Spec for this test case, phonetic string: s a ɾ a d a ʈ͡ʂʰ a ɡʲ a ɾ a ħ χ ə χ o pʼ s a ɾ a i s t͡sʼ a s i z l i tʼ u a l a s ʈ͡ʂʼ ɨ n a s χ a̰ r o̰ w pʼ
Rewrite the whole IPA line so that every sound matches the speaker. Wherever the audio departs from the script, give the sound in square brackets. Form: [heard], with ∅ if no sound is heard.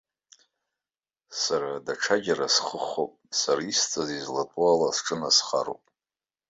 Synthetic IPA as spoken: s a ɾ a d a ʈ͡ʂʰ a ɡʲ a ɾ a [s] χ ə χ o pʼ s a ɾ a i s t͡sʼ a [z] i z l [a] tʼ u a l a s ʈ͡ʂʼ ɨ n a s χ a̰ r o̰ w pʼ